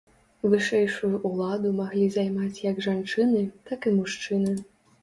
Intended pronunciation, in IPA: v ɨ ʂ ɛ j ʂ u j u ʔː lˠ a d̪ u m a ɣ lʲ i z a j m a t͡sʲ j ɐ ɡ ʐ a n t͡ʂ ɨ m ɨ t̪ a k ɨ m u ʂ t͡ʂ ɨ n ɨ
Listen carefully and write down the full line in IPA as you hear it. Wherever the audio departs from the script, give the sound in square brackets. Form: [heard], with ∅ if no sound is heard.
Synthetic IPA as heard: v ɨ ʂ ɛ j ʂ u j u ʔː lˠ a d̪ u m a ɣ lʲ i z a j m a t͡sʲ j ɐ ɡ ʐ a n t͡ʂ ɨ [n] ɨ t̪ a k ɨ m u ʂ t͡ʂ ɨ n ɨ